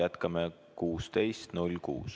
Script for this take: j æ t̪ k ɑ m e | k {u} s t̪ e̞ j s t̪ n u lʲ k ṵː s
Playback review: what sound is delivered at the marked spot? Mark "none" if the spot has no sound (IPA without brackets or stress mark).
uː